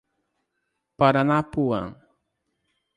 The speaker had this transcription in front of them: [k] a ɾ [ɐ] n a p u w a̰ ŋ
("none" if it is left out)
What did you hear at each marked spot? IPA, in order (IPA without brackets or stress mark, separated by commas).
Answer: p, a